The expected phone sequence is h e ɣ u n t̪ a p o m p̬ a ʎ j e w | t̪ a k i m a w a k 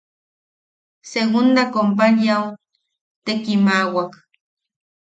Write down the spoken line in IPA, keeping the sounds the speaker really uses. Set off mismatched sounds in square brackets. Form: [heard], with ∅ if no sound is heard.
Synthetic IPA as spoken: [s] e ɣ u n [d̪] a [k] o m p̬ a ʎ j [a] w | t̪ [e] k i m a w a k